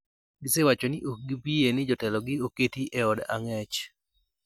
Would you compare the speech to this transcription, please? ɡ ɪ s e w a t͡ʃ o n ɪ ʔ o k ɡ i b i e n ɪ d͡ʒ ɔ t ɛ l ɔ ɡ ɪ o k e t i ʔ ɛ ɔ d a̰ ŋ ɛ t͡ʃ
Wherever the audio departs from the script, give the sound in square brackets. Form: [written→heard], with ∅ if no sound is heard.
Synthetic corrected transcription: ɡ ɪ s e w a t͡ʃ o n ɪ ʔ o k ɡ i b i e n ɪ d͡ʒ ɔ t ɛ l ɔ ɡ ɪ o k e t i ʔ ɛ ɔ d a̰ ŋ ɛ t͡ʃ